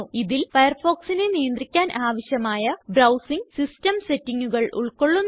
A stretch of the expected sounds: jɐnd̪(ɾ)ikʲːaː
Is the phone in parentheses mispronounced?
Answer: yes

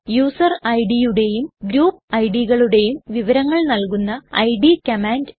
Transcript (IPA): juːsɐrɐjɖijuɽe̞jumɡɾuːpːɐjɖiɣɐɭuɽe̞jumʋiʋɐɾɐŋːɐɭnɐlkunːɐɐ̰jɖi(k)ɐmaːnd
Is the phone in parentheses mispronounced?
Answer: no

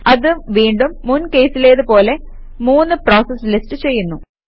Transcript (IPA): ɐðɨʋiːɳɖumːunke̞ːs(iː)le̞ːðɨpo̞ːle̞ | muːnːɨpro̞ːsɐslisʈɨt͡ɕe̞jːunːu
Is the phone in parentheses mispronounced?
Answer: yes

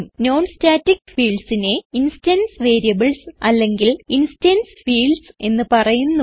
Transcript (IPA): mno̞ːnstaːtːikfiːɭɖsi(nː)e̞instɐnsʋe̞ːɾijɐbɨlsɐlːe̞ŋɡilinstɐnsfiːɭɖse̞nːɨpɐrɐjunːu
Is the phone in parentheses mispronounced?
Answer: yes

